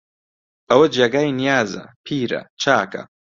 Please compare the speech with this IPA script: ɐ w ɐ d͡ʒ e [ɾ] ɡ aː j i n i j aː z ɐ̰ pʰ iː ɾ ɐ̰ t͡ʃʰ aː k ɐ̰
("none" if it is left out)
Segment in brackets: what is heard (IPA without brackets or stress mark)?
none